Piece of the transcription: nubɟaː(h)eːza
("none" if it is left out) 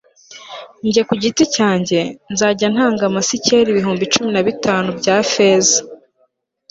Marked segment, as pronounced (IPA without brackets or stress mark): f